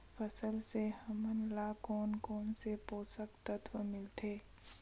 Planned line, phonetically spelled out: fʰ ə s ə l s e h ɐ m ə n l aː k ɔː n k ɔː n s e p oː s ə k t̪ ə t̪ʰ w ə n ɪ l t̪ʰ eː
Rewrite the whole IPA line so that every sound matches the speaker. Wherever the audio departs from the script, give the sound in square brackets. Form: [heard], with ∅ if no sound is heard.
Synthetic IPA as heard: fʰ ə s ə l s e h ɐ m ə n l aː k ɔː n k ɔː n s e p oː s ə k t̪ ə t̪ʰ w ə [m] ɪ l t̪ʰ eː